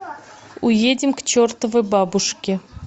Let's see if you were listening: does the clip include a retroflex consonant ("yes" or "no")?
yes